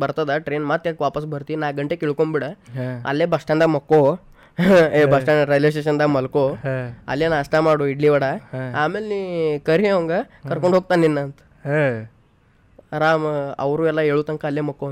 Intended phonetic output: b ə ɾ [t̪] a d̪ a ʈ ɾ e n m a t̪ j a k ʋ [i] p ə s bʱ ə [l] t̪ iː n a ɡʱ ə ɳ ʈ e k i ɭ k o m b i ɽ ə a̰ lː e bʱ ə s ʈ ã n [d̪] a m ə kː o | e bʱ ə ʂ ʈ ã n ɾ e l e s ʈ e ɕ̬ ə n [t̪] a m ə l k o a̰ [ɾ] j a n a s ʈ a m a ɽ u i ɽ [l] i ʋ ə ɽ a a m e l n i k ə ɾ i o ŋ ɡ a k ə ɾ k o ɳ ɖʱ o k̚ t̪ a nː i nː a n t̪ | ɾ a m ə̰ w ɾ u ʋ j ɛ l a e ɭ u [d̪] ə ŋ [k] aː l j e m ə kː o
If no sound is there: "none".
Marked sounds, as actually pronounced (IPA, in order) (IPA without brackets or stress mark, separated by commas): t̪, a, ɾ, d̪, d̪, l, l, t̪, k